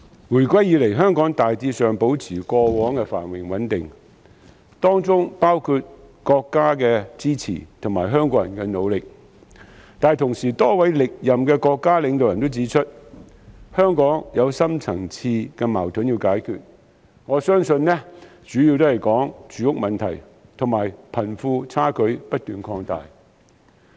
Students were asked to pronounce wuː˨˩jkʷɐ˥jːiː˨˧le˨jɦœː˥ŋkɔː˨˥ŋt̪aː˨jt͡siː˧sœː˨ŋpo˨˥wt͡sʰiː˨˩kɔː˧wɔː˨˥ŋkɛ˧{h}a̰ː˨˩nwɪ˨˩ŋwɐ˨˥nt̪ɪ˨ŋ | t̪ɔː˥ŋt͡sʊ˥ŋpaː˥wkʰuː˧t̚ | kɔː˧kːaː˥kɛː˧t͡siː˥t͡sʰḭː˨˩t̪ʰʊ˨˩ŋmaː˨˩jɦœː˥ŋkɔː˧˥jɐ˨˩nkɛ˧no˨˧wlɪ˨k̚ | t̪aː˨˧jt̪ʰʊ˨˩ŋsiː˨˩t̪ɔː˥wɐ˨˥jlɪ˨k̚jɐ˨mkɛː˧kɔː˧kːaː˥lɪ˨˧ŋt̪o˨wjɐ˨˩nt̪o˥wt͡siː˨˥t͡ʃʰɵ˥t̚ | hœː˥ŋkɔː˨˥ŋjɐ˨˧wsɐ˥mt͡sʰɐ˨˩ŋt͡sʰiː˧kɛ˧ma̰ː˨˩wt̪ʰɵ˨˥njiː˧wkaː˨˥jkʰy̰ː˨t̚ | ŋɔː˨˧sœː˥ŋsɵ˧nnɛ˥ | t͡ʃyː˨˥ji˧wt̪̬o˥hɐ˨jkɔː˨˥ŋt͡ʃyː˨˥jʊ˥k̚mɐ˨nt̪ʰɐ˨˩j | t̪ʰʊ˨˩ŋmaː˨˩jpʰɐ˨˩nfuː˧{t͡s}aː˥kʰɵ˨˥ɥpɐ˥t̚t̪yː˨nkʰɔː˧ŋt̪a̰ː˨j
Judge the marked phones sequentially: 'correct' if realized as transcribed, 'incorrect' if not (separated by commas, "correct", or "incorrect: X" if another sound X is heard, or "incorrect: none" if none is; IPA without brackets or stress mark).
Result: incorrect: f, incorrect: t͡sʰ